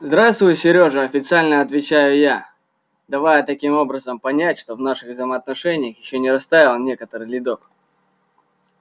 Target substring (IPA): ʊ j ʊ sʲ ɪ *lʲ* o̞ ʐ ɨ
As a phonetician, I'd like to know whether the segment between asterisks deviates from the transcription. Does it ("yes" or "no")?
yes